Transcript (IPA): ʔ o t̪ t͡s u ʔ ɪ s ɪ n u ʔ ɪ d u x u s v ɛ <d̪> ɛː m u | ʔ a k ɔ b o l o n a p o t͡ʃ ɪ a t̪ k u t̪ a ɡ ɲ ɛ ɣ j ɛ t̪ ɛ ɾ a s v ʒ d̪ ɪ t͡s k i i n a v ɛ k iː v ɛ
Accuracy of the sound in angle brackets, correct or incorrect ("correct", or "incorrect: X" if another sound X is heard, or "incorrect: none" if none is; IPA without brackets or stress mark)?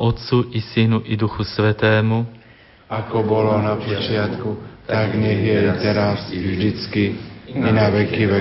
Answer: incorrect: t̪